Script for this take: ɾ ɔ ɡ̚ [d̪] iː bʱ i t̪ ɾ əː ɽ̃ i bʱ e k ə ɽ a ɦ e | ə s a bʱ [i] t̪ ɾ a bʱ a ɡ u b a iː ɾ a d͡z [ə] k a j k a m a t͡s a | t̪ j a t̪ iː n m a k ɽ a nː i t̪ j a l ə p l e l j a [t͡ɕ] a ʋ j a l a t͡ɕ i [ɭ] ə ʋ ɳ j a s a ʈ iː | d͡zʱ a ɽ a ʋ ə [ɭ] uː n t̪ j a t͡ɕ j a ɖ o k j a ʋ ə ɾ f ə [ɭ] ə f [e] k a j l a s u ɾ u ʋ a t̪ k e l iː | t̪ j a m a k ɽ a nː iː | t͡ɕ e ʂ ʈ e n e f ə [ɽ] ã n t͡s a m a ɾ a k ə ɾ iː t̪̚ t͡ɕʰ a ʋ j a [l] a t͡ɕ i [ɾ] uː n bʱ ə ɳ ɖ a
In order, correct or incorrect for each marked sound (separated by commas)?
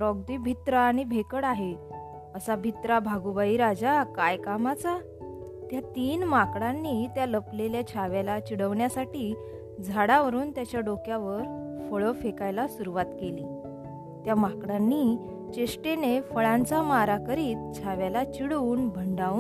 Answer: correct, correct, incorrect, incorrect, incorrect, incorrect, correct, correct, incorrect, correct, incorrect